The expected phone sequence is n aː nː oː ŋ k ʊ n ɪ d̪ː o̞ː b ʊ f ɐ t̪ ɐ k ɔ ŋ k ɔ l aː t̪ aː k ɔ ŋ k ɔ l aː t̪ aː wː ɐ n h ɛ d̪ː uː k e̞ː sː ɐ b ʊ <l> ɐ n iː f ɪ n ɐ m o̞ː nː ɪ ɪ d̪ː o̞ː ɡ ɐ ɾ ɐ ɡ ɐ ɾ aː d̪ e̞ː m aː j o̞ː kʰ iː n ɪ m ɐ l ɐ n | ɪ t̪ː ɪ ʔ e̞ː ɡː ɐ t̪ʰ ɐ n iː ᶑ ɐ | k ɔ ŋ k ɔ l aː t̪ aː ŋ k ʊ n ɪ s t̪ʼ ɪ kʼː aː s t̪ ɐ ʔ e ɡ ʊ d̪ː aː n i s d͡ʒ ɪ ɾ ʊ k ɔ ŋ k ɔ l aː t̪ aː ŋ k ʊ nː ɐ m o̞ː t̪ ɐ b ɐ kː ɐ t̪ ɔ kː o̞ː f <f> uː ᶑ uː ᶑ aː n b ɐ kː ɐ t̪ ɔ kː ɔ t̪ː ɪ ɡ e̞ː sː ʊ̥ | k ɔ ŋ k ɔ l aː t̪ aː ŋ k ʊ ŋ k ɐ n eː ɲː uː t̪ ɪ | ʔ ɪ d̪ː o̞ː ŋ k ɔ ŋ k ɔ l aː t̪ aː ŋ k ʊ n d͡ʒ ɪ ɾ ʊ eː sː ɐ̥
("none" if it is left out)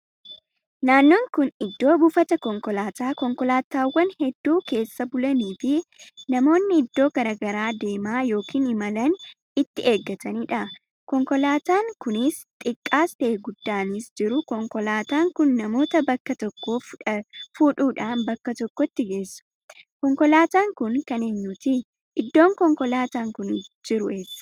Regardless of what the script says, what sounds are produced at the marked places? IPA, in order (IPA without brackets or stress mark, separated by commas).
l, f